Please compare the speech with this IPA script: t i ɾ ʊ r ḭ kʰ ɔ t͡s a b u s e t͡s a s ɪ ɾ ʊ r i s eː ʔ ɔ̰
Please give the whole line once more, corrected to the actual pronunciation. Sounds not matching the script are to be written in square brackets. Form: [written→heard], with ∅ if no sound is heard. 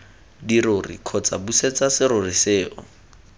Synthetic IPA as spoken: [t→d] i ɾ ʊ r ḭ kʰ ɔ t͡s a b u s e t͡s a s ɪ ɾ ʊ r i s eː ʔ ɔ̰